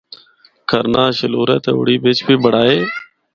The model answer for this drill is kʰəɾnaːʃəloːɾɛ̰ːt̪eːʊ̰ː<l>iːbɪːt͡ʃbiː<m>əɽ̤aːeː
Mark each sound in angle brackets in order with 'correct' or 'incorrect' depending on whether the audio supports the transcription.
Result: incorrect, incorrect

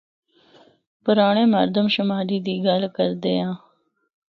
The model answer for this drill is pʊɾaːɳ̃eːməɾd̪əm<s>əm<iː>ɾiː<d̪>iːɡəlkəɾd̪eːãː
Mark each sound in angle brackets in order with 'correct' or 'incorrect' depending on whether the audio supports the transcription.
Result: incorrect, incorrect, correct

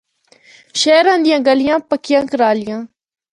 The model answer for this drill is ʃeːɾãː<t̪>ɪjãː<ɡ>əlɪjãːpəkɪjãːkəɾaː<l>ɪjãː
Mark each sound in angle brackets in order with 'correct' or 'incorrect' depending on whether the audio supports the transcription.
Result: incorrect, correct, correct

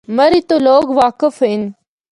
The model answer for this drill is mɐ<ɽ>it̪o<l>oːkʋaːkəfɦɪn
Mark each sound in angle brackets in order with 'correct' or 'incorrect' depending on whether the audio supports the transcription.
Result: incorrect, correct

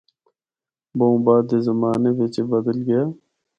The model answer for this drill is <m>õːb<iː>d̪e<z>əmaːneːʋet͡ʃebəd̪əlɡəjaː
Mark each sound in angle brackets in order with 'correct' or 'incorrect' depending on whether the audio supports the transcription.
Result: incorrect, incorrect, correct

